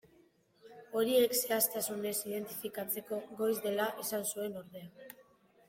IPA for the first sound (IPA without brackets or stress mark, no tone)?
o̞